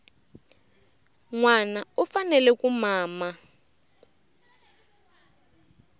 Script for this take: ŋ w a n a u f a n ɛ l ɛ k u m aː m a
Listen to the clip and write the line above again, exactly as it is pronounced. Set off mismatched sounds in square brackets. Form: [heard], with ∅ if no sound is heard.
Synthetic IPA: ŋ w a n a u f a n ɛ l ɛ k u m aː m a